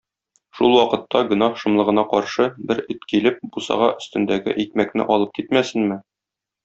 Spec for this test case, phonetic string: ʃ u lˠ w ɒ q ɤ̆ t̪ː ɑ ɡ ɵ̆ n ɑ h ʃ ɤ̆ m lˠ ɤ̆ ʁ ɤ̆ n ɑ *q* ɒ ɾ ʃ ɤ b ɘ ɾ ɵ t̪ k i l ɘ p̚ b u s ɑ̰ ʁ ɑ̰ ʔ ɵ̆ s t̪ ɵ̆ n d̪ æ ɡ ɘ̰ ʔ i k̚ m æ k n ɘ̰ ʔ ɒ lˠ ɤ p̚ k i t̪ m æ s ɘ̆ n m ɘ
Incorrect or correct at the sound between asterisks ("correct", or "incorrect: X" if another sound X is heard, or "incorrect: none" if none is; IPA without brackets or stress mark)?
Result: correct